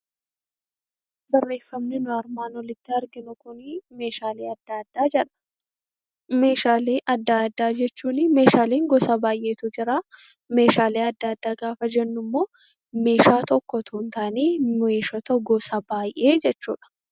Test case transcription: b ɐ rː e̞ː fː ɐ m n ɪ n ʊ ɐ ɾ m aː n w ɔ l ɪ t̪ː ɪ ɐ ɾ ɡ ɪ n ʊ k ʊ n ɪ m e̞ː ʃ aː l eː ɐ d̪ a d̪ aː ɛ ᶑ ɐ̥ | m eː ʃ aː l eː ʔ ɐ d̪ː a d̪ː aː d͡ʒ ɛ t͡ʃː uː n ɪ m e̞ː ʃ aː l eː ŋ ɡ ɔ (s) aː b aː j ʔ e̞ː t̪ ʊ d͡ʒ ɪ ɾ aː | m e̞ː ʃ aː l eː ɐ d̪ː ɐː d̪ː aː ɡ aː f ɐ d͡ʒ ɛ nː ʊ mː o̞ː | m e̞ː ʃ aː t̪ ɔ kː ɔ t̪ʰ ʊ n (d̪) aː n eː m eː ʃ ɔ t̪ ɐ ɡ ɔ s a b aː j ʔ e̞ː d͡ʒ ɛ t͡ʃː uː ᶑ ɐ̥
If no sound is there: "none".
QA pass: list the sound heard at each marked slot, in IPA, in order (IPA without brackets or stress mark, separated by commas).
s, t̪